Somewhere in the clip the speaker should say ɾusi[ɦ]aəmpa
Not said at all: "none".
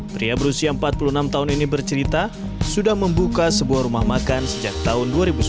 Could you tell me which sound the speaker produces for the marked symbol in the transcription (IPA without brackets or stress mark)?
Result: none